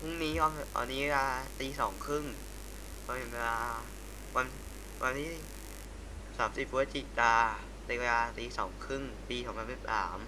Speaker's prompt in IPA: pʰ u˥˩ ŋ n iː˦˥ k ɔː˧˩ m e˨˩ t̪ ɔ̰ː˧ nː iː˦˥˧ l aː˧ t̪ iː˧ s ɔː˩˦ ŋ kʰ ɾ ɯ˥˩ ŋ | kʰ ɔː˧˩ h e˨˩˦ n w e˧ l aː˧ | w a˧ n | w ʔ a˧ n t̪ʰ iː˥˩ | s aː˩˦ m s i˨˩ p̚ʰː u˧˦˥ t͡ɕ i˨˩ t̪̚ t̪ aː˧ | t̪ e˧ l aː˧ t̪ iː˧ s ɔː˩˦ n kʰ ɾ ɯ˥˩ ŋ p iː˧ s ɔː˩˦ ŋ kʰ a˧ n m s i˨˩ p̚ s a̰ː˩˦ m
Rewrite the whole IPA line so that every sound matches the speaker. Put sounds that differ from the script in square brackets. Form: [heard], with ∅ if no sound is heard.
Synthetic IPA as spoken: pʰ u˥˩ ŋ n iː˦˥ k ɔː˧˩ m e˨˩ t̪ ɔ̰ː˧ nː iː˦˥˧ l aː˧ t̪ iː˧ s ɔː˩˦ ŋ kʰ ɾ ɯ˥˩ ŋ | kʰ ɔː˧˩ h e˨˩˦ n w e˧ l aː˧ | w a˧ n | w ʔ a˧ n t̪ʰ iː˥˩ | s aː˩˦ m s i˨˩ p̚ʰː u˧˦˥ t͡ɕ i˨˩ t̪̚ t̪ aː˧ | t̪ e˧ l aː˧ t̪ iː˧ s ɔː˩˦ [ŋ] kʰ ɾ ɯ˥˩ ŋ p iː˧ s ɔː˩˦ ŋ [pʰ] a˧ n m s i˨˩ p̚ s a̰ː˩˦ m